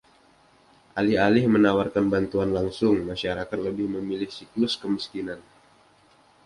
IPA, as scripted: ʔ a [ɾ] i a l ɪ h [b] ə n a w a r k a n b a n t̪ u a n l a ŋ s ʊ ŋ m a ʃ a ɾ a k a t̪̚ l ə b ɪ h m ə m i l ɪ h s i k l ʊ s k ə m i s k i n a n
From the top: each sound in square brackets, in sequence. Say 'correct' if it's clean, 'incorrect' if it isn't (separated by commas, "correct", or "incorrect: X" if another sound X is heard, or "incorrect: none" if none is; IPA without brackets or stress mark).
incorrect: l, incorrect: m